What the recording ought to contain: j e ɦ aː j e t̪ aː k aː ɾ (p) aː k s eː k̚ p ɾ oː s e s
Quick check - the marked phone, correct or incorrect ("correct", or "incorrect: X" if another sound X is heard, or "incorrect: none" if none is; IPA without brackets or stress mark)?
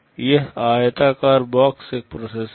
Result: incorrect: b